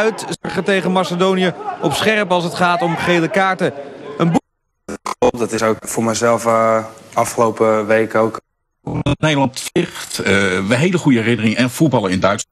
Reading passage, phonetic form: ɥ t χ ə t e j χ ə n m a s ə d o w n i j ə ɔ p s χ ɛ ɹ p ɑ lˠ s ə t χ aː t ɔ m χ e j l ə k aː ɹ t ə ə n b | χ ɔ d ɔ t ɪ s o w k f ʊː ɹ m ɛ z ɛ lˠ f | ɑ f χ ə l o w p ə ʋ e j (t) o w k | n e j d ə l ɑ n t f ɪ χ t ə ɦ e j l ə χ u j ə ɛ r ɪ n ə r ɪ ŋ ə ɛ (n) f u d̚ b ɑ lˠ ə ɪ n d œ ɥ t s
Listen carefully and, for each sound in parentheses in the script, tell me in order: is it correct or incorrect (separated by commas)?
incorrect, correct